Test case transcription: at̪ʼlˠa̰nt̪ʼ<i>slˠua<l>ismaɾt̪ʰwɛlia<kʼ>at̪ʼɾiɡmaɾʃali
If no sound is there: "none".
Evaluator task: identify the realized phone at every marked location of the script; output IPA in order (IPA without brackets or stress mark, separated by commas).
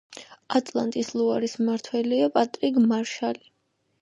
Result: i, ɾ, pʼ